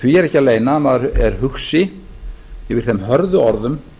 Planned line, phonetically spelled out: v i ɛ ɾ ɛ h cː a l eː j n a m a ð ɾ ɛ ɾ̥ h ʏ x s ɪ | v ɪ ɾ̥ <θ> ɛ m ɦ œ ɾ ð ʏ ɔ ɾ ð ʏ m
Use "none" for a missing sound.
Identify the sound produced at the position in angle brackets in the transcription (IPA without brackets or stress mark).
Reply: θ